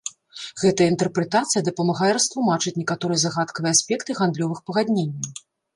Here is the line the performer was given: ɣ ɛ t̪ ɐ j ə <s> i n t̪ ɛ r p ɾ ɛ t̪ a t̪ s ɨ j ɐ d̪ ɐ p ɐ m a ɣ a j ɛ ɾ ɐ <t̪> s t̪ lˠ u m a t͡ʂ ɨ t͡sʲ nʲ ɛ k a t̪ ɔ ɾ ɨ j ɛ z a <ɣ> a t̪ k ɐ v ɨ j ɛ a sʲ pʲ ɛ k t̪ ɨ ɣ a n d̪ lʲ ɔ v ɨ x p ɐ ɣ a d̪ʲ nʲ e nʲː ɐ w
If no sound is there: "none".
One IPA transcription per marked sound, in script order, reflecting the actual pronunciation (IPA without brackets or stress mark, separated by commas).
none, none, ɣ